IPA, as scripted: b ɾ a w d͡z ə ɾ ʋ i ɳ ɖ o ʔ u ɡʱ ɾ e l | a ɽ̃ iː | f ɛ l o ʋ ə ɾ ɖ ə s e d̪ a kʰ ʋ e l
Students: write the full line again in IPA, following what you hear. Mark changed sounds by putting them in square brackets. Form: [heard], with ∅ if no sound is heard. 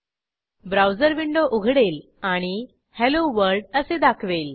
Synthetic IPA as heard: b ɾ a w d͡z ə ɾ ʋ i ɳ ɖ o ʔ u ɡʱ [ɽ] e l | a ɽ̃ [i] | [h] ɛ l o ʋ ə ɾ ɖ ə s e d̪ a kʰ ʋ e l